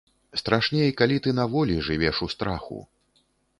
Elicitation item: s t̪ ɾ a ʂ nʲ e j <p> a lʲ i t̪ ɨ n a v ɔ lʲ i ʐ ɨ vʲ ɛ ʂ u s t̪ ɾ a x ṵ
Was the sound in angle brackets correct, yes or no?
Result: no